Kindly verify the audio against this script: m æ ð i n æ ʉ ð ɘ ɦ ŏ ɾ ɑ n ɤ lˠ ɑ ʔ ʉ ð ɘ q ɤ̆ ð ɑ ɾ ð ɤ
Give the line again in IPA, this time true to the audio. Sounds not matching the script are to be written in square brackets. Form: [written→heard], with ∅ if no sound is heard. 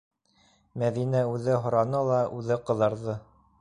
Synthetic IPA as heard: m æ ð i n æ ʉ ð ɘ ɦ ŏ ɾ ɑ n ɤ lˠ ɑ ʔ ʉ ð ɘ q ɤ̆ ð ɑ ɾ ð ɤ